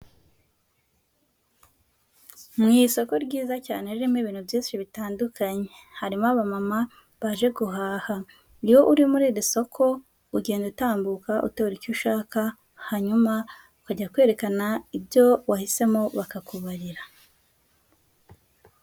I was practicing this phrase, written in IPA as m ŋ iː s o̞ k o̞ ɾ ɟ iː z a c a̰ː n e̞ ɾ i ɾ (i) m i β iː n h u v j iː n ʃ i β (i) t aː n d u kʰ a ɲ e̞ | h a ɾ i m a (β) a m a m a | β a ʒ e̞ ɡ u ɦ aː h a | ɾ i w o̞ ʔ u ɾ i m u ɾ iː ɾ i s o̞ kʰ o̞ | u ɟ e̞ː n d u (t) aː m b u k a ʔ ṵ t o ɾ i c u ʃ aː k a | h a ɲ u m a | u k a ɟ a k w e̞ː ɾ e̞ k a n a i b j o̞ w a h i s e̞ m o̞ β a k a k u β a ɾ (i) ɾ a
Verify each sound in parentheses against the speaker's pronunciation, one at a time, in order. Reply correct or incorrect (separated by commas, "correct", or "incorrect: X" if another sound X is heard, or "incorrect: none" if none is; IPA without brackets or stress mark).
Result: correct, correct, correct, correct, correct